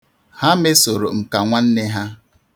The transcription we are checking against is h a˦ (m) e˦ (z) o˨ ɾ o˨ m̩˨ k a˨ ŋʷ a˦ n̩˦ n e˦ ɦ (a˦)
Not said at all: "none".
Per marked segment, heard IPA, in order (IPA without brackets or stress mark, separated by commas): m, s, a˦